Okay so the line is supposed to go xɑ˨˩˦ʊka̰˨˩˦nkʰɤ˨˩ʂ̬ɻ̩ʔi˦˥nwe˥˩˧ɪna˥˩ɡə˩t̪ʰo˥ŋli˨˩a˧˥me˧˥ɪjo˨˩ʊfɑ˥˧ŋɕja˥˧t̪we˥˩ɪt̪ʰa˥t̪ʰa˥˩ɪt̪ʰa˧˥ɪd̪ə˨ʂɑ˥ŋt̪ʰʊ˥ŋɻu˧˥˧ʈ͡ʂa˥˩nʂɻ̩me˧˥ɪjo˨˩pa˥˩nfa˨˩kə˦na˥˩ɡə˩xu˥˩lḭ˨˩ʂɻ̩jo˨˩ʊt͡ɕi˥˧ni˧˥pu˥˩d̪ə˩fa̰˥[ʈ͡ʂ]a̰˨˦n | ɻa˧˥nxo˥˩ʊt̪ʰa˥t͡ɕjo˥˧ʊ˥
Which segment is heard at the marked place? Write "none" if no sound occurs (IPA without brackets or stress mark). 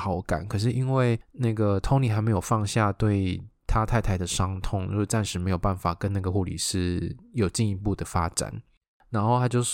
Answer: ʈ͡ʂ